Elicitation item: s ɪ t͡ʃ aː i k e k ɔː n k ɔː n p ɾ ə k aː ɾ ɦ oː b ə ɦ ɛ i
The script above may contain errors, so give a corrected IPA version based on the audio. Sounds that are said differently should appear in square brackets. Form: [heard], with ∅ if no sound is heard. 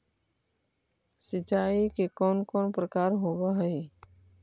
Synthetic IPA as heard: s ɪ t͡ʃ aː i k e k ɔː n k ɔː n p ɾ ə k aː ɾ ɦ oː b [a] ɦ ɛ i